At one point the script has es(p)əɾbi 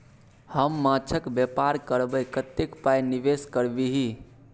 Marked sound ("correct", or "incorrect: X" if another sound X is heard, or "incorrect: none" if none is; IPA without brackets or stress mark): incorrect: k